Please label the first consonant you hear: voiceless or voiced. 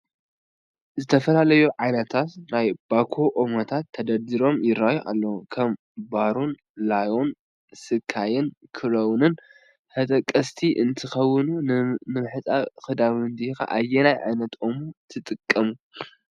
voiced